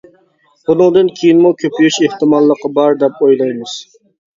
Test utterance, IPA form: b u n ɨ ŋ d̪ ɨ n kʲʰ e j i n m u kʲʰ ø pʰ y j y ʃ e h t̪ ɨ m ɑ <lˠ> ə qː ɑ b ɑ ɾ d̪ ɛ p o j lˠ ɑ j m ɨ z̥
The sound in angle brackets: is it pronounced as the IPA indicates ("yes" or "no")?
no